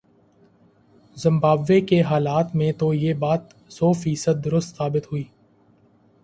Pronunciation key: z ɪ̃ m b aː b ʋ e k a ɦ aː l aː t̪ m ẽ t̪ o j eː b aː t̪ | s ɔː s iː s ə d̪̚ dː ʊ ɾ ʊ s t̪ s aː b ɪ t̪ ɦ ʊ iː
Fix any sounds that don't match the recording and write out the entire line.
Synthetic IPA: z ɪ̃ m b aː b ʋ e k e ɦ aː l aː t̪ m ẽ t̪ o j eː b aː t̪ | s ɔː f iː s ə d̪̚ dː ʊ ɾ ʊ s t̪ s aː b ɪ t̪ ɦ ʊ iː